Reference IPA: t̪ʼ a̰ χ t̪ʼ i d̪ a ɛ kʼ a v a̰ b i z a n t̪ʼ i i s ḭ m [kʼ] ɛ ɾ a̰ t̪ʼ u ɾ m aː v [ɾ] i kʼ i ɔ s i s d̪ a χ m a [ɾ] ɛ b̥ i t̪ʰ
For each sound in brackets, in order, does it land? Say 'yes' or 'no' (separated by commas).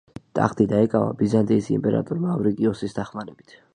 no, yes, yes